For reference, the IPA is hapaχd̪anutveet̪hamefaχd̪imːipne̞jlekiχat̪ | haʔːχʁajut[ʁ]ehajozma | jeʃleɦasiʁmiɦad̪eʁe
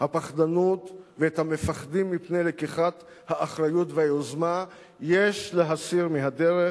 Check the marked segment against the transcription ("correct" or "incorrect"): incorrect